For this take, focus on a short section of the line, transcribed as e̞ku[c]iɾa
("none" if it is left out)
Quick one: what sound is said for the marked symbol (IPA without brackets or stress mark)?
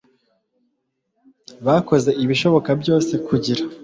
ɟ